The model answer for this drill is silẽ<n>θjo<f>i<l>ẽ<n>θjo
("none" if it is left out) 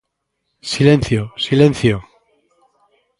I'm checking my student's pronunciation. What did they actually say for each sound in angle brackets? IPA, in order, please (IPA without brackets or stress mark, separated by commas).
n, s, l, n